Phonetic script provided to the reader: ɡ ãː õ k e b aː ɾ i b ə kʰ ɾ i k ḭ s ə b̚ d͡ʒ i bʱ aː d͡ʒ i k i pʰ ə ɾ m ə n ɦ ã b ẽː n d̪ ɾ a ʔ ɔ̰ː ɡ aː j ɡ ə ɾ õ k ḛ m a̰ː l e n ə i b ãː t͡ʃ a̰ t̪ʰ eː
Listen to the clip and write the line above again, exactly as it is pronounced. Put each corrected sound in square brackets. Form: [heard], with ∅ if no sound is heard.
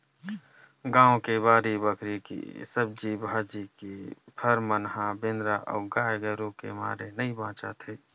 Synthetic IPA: ɡ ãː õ k e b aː ɾ i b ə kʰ ɾ i k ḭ s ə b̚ d͡ʒ i bʱ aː d͡ʒ i k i pʰ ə ɾ m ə n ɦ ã b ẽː n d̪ ɾ a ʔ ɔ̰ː ɡ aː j ɡ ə ɾ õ k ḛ m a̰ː [ɾ] e n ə i b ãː t͡ʃ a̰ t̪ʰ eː